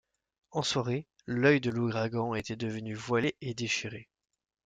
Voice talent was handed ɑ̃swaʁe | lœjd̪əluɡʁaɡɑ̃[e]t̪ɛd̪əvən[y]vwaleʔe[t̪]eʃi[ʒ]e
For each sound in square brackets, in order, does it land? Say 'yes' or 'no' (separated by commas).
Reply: yes, yes, no, no